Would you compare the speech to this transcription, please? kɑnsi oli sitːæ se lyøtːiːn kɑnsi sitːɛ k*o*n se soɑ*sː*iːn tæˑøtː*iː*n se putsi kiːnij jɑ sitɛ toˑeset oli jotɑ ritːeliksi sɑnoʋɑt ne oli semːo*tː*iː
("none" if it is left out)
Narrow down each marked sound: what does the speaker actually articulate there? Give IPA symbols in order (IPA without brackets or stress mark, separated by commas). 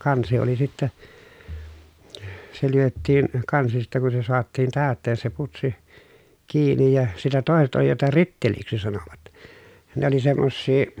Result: u, tː, eː, sː